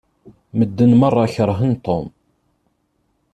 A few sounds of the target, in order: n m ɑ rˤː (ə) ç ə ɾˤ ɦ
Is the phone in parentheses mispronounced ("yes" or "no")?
yes